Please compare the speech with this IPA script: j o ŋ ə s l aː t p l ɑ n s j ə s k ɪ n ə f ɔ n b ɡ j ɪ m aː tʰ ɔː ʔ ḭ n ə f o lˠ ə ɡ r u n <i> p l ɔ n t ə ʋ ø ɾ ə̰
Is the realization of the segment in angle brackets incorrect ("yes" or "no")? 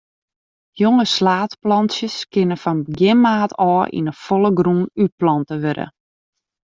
yes